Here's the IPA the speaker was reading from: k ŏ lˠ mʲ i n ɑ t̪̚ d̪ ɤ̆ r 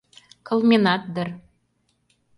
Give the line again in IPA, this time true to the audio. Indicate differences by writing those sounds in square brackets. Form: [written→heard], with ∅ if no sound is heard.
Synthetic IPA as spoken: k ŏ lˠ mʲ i n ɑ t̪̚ d̪ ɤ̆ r